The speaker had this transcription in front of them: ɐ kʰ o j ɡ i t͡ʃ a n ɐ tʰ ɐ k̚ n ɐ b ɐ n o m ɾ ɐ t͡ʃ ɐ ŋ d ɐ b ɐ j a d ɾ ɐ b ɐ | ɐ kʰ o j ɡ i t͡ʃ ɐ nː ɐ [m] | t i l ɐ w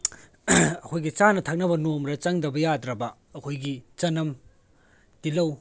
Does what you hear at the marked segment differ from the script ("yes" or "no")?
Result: no